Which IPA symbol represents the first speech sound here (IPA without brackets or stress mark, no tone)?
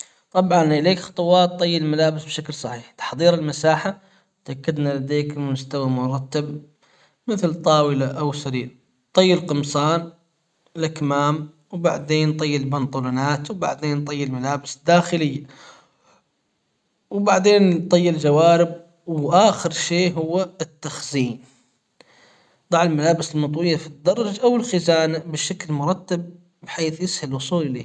t̪ˤ